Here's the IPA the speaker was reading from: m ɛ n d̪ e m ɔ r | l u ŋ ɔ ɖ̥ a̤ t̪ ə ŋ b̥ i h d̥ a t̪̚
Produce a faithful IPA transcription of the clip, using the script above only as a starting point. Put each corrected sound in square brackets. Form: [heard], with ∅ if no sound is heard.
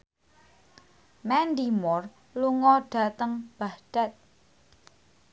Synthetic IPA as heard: m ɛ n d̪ [i] m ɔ r | l u ŋ ɔ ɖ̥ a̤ t̪ ə ŋ b̥ [a] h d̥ a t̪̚